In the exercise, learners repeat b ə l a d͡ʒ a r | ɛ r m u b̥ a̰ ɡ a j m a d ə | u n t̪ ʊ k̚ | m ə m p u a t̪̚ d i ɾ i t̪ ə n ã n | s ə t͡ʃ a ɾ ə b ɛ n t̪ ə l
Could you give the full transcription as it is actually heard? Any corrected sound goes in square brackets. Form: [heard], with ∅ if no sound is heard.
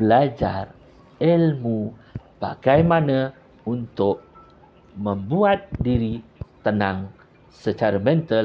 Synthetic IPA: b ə l a d͡ʒ a r | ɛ [l] m u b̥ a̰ ɡ a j m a [n] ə | u n t̪ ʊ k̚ | m ə m [b] u a t̪̚ d i ɾ i t̪ ə n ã [ŋ] | s ə t͡ʃ a ɾ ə [m] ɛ n t̪ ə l